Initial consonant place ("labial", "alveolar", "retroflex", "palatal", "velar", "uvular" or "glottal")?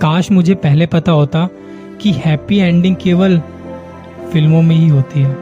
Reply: velar